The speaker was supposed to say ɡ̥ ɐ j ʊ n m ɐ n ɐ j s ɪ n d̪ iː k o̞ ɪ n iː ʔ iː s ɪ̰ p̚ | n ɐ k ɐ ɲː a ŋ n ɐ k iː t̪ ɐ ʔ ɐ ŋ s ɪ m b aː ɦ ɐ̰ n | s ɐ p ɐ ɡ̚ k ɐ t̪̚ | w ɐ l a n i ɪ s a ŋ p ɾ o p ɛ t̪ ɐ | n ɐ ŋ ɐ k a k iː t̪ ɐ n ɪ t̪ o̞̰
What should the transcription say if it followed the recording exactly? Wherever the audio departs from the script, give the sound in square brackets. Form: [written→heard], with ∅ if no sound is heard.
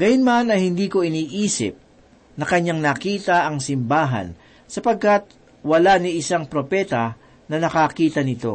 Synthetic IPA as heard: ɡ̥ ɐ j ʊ n m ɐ n ɐ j [s→h] ɪ n d̪ iː k o̞ ɪ n iː ʔ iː s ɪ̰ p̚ | n ɐ k ɐ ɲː a ŋ n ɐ k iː t̪ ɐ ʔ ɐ ŋ s ɪ m b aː ɦ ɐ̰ n | s ɐ p ɐ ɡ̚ k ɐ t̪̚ | w ɐ l a n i ɪ s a ŋ p ɾ o p ɛ t̪ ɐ | n ɐ [ŋ→n] ɐ k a k iː t̪ ɐ n ɪ t̪ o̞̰